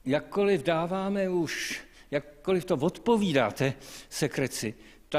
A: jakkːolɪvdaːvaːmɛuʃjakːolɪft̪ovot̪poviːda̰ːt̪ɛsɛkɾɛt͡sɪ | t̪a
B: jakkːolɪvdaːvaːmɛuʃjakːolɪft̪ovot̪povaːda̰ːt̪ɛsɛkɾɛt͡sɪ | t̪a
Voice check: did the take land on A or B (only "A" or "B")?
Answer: A